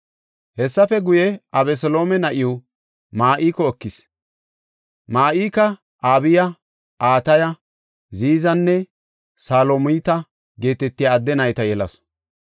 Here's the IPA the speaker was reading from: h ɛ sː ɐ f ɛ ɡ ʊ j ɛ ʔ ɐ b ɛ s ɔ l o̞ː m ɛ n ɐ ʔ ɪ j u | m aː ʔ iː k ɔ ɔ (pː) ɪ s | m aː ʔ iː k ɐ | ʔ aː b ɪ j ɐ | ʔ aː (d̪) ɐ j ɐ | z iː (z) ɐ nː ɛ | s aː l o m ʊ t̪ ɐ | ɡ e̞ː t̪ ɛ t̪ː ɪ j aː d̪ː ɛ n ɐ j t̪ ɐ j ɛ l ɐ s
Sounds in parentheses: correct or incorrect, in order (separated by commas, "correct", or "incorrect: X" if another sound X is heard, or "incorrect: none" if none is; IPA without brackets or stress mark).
incorrect: kː, incorrect: t̪, correct